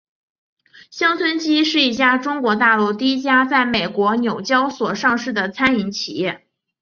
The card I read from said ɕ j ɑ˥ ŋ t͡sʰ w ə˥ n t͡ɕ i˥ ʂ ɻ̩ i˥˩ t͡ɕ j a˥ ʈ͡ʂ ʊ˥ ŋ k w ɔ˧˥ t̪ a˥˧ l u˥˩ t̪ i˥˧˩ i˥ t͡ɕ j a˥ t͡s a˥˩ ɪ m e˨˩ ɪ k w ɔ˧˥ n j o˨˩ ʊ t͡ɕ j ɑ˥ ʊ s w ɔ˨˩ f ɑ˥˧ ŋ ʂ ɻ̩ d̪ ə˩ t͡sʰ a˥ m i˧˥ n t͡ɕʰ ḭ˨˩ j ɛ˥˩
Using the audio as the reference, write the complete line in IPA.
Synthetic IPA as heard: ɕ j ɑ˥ ŋ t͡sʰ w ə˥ n t͡ɕ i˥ ʂ ɻ̩ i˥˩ t͡ɕ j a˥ ʈ͡ʂ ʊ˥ ŋ k w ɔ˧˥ t̪ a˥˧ l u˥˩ t̪ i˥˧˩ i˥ t͡ɕ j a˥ t͡s a˥˩ ɪ m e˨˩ ɪ k w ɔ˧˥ n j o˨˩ ʊ t͡ɕ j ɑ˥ ʊ s w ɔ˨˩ ʂ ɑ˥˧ ŋ ʂ ɻ̩ d̪ ə˩ t͡sʰ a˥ n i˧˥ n t͡ɕʰ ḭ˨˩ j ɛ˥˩